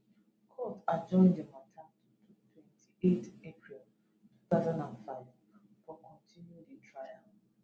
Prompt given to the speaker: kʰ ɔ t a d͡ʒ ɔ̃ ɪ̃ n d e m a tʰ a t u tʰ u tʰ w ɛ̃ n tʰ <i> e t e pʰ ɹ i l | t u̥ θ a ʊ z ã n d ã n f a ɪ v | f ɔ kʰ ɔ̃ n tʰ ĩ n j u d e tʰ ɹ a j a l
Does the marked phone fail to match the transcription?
no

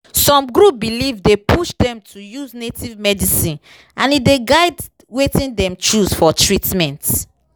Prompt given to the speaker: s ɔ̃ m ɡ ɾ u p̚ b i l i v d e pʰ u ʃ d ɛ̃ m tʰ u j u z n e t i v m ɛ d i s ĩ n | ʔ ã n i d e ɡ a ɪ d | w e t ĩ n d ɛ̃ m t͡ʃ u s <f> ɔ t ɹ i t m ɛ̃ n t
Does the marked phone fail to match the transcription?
no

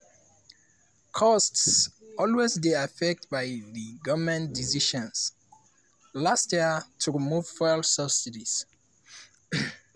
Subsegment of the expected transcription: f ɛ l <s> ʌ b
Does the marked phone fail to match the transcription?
no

